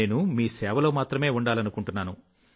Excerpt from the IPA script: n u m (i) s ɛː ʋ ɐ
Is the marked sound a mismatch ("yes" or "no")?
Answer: yes